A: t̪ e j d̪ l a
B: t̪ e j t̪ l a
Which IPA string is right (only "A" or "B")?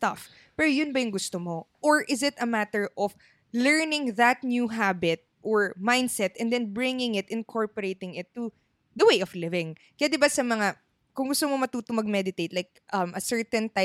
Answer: B